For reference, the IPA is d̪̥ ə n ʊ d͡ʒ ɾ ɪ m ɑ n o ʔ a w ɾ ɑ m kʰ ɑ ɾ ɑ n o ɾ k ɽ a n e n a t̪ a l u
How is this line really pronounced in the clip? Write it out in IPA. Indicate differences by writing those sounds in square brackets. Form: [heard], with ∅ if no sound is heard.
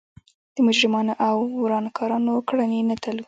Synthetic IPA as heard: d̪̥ ə [m] ʊ d͡ʒ ɾ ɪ m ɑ n o ʔ a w ɾ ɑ [n] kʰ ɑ ɾ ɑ n o [∅] k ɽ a n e n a t̪ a l u